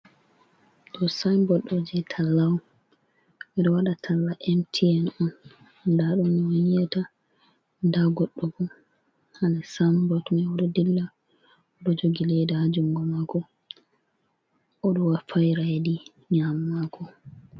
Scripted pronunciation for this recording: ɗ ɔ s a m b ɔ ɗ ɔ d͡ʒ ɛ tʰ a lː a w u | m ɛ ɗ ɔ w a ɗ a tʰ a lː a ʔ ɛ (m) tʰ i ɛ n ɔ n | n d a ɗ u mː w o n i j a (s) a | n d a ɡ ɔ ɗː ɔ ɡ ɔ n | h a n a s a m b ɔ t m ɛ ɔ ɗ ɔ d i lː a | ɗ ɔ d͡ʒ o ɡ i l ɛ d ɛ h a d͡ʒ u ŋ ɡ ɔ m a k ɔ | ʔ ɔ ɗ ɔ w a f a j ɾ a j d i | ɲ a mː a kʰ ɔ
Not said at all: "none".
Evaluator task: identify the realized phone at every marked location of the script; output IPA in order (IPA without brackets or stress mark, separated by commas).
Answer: m, t